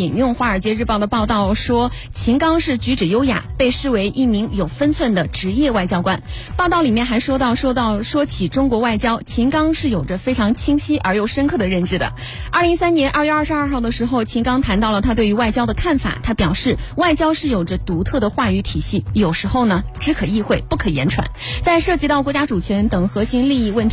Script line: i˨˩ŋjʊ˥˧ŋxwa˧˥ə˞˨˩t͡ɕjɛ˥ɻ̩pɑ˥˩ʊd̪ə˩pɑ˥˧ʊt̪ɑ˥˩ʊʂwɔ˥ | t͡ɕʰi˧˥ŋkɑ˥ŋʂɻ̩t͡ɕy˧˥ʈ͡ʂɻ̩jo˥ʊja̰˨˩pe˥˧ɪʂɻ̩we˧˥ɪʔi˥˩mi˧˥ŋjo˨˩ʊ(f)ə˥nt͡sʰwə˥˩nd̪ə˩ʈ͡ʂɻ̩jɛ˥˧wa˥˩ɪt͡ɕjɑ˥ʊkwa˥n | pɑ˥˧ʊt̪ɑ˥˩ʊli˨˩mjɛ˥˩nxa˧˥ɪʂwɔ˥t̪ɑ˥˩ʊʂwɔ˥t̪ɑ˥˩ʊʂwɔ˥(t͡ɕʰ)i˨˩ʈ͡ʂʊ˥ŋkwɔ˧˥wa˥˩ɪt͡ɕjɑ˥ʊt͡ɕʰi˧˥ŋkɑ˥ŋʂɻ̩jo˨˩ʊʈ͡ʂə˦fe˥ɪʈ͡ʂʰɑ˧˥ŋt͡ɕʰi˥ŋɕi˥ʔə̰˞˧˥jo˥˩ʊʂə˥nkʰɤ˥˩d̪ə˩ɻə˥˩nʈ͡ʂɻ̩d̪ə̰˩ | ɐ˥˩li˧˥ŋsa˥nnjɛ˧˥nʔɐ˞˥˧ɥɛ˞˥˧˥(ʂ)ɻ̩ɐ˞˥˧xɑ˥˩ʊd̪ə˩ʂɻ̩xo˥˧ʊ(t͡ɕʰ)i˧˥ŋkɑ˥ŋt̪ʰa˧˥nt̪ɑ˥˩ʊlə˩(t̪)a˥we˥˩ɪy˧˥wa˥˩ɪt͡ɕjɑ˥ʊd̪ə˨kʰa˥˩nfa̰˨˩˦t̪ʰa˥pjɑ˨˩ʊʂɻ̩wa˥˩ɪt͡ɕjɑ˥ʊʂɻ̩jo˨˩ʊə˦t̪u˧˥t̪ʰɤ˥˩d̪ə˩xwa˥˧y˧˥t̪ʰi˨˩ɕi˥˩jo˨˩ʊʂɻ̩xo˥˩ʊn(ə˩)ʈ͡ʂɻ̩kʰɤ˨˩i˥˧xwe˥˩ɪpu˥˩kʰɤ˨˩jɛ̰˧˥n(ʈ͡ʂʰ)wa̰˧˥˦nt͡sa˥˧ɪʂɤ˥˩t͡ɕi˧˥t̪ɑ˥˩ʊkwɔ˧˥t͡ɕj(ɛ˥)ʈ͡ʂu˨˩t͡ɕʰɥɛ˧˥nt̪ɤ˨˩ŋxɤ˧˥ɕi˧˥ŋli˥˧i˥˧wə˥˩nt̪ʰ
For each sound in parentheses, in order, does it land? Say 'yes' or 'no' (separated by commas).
yes, yes, yes, yes, no, yes, yes, no